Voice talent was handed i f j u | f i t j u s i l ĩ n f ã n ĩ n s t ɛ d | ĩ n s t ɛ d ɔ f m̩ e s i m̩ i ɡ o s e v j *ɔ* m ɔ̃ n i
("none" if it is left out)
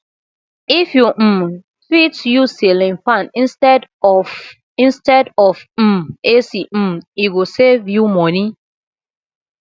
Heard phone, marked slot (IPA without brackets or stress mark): u